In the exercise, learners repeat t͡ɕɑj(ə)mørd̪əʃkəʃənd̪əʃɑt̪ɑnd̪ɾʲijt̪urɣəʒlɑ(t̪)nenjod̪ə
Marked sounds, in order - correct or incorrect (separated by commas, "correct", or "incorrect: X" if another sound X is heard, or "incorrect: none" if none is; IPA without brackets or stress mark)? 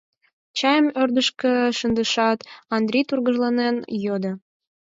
correct, incorrect: none